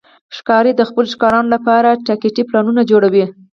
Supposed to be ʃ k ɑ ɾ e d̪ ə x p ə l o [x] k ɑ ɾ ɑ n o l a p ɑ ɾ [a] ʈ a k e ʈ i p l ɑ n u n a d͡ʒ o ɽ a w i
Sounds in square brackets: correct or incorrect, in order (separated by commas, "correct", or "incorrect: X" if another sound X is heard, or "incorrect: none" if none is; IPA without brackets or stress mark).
incorrect: ʃ, correct